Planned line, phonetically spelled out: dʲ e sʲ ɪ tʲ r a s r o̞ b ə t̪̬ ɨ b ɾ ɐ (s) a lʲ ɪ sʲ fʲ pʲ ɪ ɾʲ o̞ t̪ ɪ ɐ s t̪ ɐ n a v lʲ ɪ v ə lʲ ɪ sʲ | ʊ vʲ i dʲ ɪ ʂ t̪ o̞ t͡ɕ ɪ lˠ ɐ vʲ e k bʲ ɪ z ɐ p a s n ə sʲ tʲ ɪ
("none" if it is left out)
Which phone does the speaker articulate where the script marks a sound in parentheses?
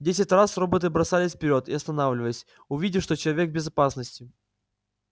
s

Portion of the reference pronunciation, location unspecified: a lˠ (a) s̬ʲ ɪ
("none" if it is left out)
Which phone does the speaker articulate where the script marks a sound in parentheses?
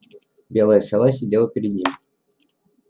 a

